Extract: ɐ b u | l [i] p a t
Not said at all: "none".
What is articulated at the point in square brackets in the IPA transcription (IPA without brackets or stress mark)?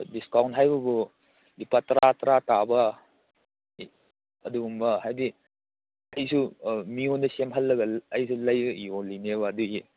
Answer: i